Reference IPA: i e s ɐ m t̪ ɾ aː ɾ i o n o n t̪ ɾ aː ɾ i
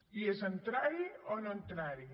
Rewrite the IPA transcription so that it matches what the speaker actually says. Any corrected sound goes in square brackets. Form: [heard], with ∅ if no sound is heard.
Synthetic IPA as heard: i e s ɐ [n] t̪ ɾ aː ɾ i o n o n t̪ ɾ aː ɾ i